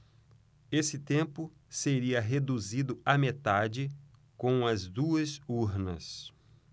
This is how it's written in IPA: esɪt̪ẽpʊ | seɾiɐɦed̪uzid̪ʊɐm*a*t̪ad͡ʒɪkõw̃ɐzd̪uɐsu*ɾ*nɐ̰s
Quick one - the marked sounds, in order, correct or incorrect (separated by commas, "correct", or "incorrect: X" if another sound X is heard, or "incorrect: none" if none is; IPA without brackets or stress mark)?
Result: incorrect: e, correct